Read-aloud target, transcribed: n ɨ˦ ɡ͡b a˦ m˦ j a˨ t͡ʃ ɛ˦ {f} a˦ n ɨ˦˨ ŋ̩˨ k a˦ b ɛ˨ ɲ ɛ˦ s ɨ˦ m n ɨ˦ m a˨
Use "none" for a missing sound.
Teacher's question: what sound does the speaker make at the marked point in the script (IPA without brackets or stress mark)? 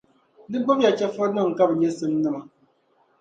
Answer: f